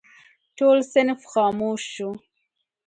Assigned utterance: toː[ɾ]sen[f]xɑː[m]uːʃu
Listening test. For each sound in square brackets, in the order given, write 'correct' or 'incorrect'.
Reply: incorrect: l, correct, correct

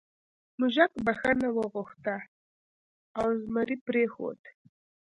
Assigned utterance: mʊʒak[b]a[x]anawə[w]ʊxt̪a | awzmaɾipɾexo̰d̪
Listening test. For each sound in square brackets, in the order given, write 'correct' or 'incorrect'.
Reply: correct, correct, incorrect: ɣ

